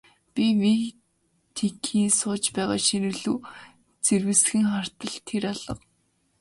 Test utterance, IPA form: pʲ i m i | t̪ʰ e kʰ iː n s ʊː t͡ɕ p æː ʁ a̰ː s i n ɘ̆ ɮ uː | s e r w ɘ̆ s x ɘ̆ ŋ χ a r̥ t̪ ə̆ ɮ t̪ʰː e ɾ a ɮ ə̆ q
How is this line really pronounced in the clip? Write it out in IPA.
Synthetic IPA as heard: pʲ i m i | t̪ʰ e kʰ iː n s ʊː t͡ɕ p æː ʁ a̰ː ʃ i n ɘ̆ ɮ uː | t͡s e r w ɘ̆ s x ɘ̆ ŋ χ a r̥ t̪ ə̆ ɮ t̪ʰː e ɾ a ɮ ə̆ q